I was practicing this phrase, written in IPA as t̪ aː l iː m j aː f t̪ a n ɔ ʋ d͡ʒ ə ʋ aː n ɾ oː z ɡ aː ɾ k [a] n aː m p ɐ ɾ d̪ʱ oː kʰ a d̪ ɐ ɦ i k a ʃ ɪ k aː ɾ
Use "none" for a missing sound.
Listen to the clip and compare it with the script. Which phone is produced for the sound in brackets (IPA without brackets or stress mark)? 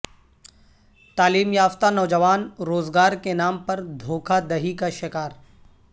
e